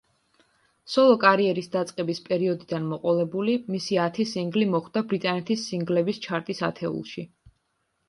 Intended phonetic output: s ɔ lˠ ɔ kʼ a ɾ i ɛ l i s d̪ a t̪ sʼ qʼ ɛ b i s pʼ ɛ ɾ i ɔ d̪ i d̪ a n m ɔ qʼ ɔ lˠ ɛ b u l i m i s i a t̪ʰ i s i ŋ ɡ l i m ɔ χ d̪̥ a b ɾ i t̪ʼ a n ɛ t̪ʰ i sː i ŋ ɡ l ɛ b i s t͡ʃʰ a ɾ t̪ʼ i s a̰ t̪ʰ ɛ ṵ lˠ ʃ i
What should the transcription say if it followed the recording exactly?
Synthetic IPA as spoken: s ɔ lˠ ɔ kʼ a ɾ i ɛ ɾ i s d̪ a t̪ sʼ qʼ ɛ b i s pʼ ɛ ɾ i ɔ d̪ i d̪ a n m ɔ qʼ ɔ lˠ ɛ b u l i m i s i a t̪ʰ i s i ŋ ɡ l i m ɔ χ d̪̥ a b ɾ i t̪ʼ a n ɛ t̪ʰ i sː i ŋ ɡ l ɛ b i s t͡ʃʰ a ɾ t̪ʼ i s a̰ t̪ʰ ɛ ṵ lˠ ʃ i